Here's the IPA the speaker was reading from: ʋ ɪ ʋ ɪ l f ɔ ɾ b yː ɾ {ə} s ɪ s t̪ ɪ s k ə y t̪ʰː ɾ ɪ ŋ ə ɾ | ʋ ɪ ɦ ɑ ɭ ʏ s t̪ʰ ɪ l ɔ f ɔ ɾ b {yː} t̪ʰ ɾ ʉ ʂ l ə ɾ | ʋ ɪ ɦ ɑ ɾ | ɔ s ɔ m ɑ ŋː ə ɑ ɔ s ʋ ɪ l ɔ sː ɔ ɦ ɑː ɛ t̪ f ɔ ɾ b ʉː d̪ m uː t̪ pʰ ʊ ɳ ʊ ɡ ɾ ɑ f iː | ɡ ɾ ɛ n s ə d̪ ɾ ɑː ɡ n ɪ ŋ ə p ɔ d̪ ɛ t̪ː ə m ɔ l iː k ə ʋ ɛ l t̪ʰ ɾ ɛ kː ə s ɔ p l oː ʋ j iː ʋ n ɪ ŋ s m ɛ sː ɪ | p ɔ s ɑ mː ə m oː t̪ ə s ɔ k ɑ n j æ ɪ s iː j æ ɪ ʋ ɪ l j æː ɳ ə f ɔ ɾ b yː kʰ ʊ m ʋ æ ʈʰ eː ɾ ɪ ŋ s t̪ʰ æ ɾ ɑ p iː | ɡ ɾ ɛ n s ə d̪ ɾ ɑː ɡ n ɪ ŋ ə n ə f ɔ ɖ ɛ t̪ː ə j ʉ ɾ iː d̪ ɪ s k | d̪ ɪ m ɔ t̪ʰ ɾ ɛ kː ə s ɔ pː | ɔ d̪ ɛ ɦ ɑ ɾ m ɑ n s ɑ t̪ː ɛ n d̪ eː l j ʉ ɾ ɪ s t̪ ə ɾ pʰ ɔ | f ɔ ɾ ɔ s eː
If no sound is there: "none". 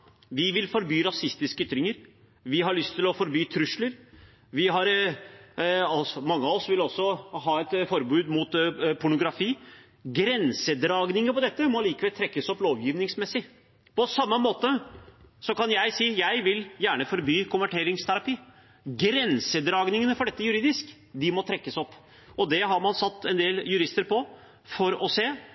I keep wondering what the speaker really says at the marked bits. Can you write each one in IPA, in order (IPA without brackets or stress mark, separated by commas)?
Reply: ɑ, yː